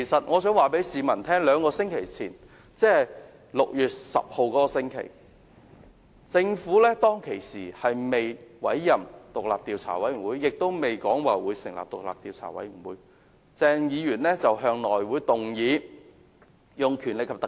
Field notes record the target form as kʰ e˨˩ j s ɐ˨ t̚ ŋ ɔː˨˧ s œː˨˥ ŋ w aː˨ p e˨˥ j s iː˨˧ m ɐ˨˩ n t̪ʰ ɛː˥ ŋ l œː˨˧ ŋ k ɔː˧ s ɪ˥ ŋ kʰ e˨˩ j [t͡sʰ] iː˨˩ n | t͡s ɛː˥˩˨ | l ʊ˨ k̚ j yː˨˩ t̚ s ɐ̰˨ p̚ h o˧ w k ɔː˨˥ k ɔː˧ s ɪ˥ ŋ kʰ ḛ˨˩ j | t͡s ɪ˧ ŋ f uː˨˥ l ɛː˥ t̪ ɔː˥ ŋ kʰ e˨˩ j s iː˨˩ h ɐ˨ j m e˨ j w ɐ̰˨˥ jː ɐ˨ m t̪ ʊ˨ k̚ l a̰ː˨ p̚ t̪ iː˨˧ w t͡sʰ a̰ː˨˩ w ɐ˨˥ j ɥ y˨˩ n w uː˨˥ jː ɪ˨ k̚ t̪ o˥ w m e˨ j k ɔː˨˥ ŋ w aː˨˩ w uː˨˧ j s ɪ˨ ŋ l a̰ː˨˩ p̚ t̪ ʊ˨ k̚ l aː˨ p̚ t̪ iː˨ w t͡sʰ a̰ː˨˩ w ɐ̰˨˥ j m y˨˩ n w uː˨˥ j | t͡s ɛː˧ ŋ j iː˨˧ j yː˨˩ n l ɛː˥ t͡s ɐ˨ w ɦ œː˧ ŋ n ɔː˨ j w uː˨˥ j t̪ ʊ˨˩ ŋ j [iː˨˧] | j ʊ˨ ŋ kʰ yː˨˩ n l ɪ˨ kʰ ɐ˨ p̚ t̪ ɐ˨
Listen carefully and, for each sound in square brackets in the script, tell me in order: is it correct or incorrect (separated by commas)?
correct, correct